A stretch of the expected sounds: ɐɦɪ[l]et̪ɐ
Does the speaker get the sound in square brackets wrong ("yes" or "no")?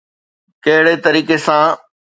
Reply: yes